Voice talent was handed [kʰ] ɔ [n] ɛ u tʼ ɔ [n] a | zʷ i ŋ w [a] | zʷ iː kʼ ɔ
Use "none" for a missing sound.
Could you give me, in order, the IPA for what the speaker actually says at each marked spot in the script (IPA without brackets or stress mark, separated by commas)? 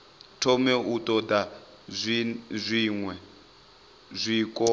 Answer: tʰ, m, d, ɛ